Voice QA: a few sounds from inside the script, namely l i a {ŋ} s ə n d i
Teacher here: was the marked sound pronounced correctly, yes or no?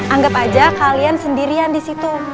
no